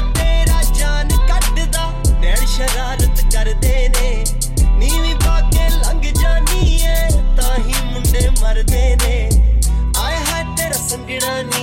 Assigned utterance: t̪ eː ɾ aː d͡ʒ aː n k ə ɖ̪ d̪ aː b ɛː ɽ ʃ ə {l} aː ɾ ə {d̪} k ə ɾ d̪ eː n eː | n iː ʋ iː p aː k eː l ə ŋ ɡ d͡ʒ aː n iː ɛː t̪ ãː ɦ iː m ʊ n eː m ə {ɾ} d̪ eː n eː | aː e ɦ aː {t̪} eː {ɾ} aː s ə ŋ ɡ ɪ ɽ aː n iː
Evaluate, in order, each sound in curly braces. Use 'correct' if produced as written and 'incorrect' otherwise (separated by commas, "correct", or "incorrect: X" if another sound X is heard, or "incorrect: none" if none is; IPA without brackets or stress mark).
incorrect: ɾ, incorrect: t̪, correct, correct, correct